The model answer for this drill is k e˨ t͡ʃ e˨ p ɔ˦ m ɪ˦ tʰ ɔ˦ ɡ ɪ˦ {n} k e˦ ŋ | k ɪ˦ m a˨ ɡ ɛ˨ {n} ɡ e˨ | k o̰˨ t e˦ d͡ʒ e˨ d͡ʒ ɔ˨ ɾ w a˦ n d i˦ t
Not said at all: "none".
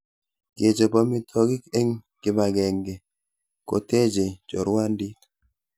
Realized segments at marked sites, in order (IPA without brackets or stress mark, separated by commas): none, ŋ